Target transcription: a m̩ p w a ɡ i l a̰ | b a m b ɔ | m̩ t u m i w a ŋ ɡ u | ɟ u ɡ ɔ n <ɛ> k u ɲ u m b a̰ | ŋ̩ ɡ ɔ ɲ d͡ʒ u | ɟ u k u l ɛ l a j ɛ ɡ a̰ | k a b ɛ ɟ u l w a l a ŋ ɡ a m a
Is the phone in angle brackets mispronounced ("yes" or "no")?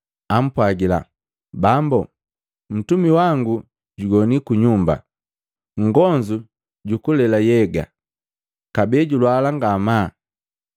yes